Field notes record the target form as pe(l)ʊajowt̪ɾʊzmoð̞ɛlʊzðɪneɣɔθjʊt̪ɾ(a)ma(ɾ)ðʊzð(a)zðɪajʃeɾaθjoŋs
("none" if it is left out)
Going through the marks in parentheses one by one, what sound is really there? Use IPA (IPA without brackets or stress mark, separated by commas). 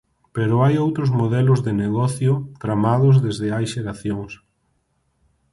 ɾ, a, none, e